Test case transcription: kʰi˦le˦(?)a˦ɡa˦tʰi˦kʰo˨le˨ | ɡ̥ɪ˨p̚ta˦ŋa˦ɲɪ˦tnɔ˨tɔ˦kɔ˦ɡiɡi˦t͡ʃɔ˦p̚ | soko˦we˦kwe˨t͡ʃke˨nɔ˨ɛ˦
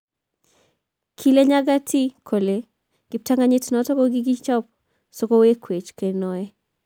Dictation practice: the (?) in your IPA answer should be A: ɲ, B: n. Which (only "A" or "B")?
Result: A